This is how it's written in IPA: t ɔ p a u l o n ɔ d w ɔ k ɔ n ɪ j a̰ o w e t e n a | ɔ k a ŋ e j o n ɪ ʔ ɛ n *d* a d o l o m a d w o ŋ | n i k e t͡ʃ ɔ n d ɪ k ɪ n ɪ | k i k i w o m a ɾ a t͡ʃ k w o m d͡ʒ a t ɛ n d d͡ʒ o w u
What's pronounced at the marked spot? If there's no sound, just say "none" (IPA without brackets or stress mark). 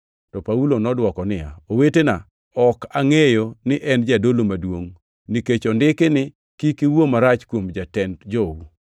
d͡ʒ